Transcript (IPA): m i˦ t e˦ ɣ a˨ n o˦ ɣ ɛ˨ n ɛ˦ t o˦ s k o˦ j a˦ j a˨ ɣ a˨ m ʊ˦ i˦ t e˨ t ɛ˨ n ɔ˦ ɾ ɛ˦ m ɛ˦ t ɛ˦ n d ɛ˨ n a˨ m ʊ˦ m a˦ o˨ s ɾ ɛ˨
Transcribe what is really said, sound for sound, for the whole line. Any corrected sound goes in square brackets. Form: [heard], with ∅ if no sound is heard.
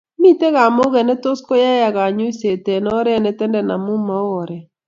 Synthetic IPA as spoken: m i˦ t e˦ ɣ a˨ [m] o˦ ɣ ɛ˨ n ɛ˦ t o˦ s k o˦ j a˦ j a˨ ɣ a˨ [ɲ] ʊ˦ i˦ [s] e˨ t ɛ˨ n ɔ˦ ɾ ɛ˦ [n] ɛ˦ t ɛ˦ n d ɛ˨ n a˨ m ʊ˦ m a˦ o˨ [∅] ɾ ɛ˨